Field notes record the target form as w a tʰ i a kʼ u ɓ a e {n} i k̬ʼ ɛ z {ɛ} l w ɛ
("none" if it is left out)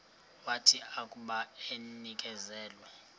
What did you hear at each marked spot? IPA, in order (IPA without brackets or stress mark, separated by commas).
n, ɛː